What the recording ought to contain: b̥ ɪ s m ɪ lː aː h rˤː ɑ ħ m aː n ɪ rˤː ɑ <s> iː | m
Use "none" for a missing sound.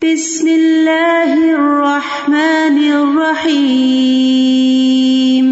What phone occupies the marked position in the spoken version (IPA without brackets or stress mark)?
ħ